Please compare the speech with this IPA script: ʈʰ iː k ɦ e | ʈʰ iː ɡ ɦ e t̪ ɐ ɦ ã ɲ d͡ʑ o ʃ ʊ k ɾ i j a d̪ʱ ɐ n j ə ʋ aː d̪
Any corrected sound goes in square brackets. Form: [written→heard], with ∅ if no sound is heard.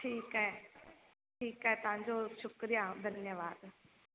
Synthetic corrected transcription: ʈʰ iː k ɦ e | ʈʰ iː [ɡ→k] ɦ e t̪ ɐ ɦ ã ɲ d͡ʑ o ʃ ʊ k ɾ i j a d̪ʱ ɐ n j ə ʋ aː d̪